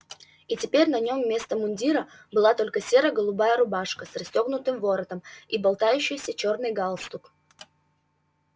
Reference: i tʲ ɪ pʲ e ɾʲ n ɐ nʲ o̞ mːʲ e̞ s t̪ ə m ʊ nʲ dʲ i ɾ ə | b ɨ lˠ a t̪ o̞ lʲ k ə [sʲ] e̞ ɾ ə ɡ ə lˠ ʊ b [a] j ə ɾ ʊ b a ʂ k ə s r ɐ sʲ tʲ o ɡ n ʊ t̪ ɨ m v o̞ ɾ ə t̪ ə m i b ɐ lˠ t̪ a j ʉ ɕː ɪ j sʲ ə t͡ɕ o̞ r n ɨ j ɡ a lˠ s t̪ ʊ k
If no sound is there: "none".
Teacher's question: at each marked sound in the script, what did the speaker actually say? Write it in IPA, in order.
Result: sʲ, a

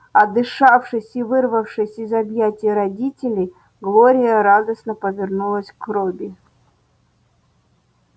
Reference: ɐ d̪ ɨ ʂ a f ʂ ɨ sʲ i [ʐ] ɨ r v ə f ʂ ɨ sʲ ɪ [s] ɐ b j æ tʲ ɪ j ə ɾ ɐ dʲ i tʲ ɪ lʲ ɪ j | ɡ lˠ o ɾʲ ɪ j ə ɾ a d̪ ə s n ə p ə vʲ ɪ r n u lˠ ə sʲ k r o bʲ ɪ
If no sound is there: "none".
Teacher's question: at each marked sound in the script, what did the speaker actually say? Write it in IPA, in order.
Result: v, z

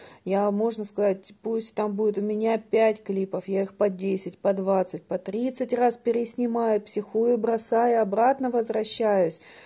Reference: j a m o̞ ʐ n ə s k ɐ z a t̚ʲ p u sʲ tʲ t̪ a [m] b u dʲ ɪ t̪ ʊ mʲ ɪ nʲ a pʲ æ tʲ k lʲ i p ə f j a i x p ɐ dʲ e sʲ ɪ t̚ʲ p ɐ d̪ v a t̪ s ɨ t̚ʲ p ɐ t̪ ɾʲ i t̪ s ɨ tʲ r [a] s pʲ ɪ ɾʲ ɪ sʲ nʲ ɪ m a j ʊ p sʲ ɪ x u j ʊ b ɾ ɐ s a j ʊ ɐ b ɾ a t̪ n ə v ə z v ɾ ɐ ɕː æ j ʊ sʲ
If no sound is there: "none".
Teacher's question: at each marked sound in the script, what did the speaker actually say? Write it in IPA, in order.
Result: m, a

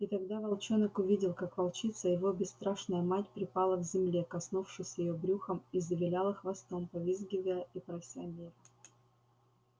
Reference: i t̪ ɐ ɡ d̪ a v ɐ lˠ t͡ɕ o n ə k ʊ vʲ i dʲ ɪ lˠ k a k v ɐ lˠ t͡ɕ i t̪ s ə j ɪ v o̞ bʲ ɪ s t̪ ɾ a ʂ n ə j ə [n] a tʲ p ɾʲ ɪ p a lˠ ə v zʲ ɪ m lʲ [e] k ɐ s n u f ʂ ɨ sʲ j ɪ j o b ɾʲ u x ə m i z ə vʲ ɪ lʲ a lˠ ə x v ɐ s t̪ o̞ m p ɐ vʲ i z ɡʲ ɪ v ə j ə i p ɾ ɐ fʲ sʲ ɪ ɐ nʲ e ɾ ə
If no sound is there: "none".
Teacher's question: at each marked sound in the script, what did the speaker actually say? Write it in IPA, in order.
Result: m, e

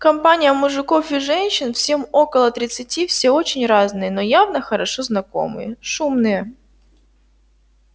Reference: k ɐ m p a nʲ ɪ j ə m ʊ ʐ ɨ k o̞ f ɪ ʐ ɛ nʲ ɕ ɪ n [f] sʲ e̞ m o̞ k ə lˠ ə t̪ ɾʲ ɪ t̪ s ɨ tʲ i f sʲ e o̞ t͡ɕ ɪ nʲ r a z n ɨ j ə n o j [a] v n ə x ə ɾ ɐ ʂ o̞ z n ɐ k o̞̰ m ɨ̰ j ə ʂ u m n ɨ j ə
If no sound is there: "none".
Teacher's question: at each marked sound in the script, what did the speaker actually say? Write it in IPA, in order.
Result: f, a

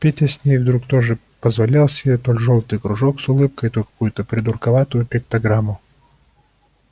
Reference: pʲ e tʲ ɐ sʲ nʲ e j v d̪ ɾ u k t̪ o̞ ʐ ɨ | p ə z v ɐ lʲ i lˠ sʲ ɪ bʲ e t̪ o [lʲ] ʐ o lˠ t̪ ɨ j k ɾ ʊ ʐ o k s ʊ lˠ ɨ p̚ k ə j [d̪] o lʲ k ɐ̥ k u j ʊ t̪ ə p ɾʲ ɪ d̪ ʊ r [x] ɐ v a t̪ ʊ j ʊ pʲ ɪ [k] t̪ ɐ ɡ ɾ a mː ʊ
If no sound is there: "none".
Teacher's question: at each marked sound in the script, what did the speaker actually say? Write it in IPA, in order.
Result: lʲ, t̪, k, k

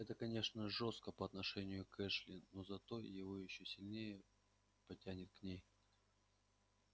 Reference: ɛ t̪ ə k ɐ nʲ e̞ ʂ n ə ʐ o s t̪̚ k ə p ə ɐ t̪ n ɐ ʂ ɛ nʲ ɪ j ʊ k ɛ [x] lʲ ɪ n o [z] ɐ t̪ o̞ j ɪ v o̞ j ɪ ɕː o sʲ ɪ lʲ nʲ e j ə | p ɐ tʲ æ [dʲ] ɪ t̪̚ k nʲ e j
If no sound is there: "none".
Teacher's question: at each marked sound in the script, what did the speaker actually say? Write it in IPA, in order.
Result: ʂ, z, nʲ

